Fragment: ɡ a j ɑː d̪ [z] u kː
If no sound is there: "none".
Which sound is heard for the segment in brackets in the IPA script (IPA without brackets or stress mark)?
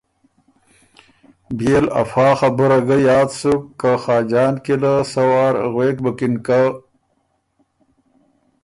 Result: s